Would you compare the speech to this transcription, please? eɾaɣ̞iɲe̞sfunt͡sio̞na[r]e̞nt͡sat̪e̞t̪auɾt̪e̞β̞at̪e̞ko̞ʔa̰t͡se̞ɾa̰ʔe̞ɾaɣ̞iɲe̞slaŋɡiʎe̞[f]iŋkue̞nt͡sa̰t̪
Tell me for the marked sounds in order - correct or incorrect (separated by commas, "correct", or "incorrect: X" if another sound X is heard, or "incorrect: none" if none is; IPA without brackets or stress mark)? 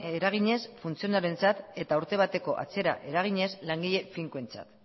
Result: incorrect: ɾ, correct